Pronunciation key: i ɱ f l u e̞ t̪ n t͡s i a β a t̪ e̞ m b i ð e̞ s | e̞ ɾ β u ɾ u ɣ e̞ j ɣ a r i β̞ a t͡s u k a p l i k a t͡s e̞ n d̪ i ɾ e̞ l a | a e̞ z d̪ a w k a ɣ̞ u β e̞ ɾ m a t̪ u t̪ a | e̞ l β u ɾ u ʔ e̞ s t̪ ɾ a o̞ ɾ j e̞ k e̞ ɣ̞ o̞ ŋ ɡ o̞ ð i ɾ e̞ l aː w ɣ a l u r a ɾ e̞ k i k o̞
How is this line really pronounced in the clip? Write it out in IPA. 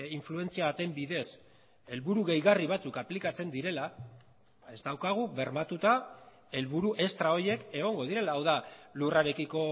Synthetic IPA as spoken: i ɱ f l u e̞ n t͡s i a β a t̪ e̞ m b i ð e̞ s | e̞ l β u ɾ u ɣ e̞ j ɣ a r i β̞ a t͡s u k a p l i k a t͡s e̞ n d̪ i ɾ e̞ l a | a e̞ z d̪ a w k a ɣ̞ u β e̞ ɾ m a t̪ u t̪ a | e̞ l β u ɾ u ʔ e̞ s t̪ ɾ a o̞ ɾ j e̞ k e̞ ɣ̞ o̞ ŋ ɡ o̞ ð i ɾ e̞ l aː w ð a l u r a ɾ e̞ k i k o̞